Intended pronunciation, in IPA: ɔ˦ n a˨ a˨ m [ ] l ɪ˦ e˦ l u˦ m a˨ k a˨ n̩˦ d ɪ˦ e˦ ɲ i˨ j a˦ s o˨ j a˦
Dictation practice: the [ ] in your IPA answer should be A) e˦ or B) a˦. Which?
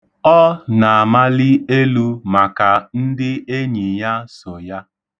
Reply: B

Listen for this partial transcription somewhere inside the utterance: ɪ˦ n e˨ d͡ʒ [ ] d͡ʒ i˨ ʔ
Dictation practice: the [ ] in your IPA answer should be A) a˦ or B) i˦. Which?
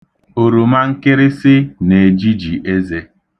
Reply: B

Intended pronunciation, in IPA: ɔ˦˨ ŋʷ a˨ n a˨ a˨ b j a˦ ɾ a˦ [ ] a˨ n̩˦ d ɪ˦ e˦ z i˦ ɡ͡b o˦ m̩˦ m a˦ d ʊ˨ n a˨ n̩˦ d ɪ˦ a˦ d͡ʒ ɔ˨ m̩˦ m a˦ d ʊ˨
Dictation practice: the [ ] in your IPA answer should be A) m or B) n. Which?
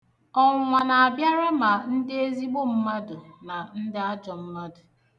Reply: A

